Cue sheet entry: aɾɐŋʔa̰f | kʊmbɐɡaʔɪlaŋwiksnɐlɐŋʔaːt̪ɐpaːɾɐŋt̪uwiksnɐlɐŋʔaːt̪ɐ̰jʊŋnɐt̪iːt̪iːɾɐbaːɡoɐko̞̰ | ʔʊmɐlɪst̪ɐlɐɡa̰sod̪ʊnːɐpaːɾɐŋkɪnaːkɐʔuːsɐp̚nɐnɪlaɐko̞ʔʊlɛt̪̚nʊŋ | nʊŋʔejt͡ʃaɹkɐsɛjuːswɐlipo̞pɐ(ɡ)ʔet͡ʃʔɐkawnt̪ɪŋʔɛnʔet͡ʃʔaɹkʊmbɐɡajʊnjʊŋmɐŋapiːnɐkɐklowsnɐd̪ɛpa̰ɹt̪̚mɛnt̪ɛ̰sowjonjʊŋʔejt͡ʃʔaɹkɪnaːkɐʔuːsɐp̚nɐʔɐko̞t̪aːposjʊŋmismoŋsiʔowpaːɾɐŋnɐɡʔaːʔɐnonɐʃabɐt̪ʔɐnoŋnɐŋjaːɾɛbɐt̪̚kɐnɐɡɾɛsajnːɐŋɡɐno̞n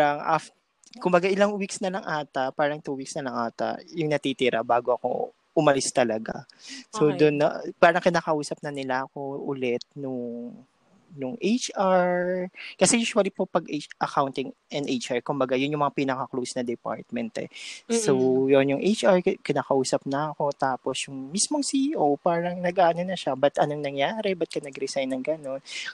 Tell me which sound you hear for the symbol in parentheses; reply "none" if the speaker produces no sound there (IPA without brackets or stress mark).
ɡ